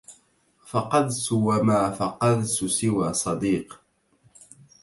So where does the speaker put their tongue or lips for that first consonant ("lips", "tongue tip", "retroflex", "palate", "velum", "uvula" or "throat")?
lips